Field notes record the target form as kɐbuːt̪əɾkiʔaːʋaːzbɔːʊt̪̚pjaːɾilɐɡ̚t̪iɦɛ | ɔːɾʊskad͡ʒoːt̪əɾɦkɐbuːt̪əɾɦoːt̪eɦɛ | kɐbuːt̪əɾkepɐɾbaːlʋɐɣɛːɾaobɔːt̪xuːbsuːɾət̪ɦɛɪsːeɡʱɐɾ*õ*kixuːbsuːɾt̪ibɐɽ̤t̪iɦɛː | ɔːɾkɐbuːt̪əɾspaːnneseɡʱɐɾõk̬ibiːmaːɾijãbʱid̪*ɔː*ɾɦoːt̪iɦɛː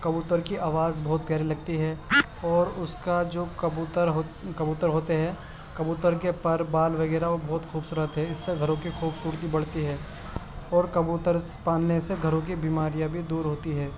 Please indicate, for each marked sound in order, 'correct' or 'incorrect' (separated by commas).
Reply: correct, incorrect